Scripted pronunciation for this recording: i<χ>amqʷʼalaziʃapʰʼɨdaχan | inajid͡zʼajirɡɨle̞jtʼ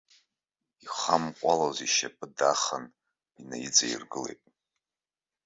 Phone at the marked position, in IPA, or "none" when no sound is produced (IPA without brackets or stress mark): χ